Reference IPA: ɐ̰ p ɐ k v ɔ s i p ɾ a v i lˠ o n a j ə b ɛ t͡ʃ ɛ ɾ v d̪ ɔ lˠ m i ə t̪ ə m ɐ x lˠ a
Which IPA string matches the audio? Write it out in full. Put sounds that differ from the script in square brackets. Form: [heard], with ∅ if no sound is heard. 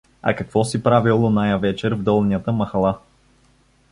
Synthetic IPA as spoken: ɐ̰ [k] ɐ k v ɔ s i p ɾ a v i lˠ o n a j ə [v] ɛ t͡ʃ ɛ ɾ v d̪ ɔ lˠ [n] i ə t̪ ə m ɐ x lˠ a

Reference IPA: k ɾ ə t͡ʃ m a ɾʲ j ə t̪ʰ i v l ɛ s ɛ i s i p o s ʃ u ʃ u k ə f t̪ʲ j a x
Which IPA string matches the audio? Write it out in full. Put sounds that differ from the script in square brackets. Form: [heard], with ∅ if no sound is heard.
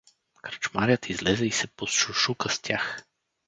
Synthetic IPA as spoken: k ɾ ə t͡ʃ m a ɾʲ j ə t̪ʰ i [z] l ɛ [z] ɛ i s [ɛ] p o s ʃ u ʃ u k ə [s] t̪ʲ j a x

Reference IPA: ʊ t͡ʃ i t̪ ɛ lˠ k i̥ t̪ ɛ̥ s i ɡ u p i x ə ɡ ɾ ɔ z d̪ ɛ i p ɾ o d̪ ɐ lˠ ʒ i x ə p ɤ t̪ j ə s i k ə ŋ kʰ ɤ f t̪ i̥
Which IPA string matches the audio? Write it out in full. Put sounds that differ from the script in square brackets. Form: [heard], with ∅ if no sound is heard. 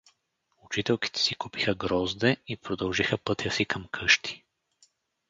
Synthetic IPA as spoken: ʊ t͡ʃ i t̪ ɛ lˠ k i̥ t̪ ɛ̥ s i [k] u p i x ə ɡ ɾ ɔ z d̪ ɛ i p ɾ o d̪ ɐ lˠ ʒ i x ə p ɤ t̪ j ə s i k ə [m] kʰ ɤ [ʃ] t̪ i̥

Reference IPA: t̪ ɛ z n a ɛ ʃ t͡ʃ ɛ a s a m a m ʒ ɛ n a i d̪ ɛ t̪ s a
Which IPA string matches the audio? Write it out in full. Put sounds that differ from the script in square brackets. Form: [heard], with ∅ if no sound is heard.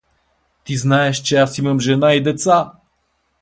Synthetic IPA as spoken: t̪ [i] z n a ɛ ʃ t͡ʃ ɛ a s [i] m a m ʒ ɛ n a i d̪ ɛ t̪ s a

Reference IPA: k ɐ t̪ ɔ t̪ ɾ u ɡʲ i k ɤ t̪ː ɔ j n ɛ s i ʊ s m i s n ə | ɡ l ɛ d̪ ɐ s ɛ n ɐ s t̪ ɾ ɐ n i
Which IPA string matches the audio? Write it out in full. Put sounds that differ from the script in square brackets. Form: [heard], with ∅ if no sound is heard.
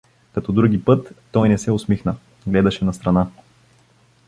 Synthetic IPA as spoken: k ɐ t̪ ɔ [d̪] ɾ u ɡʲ i [p] ɤ t̪ː ɔ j n ɛ s [ɛ] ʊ s m i [x] n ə | ɡ l ɛ d̪ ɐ [ʃ] ɛ n ɐ s t̪ ɾ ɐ n [a]

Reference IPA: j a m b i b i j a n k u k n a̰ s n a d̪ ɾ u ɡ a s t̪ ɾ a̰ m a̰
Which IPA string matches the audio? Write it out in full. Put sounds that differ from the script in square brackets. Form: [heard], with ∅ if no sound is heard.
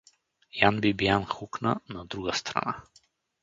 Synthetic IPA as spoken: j a [n] b i b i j a n [x] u k n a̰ [∅] n a d̪ ɾ u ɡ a s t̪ ɾ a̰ [n] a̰

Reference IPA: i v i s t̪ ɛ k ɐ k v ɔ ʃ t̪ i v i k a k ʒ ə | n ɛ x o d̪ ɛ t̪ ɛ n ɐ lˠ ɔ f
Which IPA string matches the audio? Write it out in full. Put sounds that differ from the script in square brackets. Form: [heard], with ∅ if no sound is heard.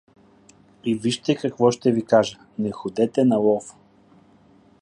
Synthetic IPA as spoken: i v i [ʃ] t̪ ɛ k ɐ k v ɔ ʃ t̪ [ɛ] v i k a [∅] ʒ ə | n ɛ x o d̪ ɛ t̪ ɛ n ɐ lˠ ɔ f

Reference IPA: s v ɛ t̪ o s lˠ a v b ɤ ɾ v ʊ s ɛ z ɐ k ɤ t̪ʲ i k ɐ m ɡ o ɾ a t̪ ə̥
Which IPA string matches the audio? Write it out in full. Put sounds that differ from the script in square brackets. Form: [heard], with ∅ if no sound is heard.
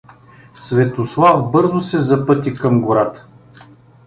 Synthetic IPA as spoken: s v ɛ t̪ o s lˠ a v b ɤ ɾ [z] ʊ s ɛ z ɐ [p] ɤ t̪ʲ i k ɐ m ɡ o ɾ a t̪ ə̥

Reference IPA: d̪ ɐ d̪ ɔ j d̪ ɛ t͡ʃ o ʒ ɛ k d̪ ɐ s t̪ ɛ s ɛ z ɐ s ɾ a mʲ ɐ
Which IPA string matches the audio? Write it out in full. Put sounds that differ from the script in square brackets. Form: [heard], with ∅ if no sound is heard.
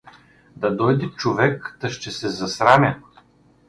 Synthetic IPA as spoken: d̪ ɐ d̪ ɔ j d̪ ɛ t͡ʃ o [v] ɛ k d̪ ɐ [ʃ] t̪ ɛ s ɛ z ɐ s ɾ a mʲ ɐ

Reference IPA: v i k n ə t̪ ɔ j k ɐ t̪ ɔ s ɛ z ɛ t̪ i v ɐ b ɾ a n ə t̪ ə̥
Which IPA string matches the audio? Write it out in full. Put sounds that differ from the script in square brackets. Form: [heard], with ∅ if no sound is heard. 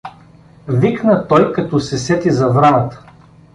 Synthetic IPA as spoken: v i k n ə t̪ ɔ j k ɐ t̪ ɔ s ɛ [s] ɛ t̪ i [z] ɐ [v] ɾ a n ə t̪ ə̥

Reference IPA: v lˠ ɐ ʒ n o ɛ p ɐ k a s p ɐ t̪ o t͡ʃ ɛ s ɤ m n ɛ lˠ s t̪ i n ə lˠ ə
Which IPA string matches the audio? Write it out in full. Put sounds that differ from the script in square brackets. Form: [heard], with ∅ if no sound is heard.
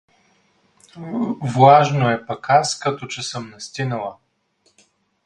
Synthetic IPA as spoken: v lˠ [a] ʒ n o ɛ p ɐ k a s [k] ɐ t̪ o t͡ʃ ɛ s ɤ m n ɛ [∅] s t̪ i n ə lˠ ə

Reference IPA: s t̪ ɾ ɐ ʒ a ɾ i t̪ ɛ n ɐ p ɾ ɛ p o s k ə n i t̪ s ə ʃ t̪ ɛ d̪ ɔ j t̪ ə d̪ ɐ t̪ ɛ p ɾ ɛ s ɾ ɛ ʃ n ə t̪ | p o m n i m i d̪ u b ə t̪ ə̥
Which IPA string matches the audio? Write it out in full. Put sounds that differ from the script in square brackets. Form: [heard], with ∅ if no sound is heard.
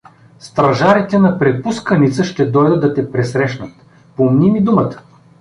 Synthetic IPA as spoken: s t̪ ɾ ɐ ʒ a ɾ i t̪ ɛ n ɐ p ɾ ɛ p [u] s k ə n i t̪ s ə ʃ t̪ ɛ d̪ ɔ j [d̪] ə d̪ ɐ t̪ ɛ p ɾ ɛ s ɾ ɛ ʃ n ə t̪ | p o m n i m i d̪ u [m] ə t̪ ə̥

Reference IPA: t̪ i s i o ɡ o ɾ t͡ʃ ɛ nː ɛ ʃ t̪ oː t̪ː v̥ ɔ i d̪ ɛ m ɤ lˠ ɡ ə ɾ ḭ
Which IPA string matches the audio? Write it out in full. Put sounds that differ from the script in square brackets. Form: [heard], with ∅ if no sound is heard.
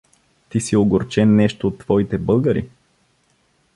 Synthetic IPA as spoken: t̪ i s i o ɡ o ɾ t͡ʃ ɛ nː ɛ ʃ t̪ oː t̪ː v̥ ɔ i [t̪] ɛ [b] ɤ lˠ ɡ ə ɾ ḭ

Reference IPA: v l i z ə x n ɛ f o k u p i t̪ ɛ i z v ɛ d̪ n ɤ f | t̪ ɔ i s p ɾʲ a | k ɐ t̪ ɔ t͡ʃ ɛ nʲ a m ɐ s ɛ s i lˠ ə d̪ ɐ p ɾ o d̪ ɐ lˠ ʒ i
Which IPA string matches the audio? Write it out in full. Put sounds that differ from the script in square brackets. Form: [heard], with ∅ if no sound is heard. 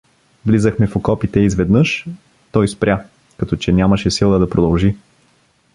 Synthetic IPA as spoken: v l i z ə x [m] ɛ f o k [ɔ] p i t̪ ɛ i z v ɛ d̪ n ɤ [ʃ] | t̪ ɔ [j] s p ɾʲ a | k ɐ t̪ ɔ t͡ʃ ɛ nʲ a m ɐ [ʃ] ɛ s i lˠ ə d̪ ɐ p ɾ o d̪ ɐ lˠ ʒ i

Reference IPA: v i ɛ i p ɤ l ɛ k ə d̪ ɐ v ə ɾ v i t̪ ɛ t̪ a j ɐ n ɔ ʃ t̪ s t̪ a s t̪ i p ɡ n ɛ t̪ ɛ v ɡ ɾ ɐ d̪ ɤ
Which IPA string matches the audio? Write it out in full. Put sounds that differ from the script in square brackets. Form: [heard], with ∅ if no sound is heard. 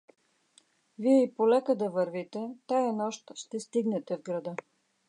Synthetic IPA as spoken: v i ɛ i p [o] l ɛ k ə d̪ ɐ v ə ɾ v i t̪ ɛ t̪ a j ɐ n ɔ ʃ t̪ [ʃ] t̪ [ɛ] s t̪ i [∅] ɡ n ɛ t̪ ɛ v ɡ ɾ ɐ d̪ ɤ

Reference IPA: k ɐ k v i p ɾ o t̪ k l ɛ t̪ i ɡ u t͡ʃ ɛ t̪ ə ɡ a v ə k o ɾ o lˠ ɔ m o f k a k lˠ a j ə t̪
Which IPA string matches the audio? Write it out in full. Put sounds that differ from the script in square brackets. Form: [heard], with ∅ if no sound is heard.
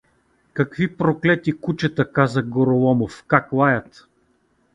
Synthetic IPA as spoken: k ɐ k v i p ɾ o [∅] k l ɛ t̪ i [k] u t͡ʃ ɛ t̪ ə [k] a [z] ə [ɡ] o ɾ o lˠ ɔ m o f k a k lˠ a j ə t̪

